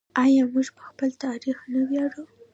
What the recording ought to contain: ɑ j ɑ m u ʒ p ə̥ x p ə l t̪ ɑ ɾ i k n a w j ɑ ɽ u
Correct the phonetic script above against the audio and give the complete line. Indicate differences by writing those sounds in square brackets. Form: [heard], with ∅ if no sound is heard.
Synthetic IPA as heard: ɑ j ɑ m u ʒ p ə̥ x p ə l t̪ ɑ ɾ i [x] n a w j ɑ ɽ u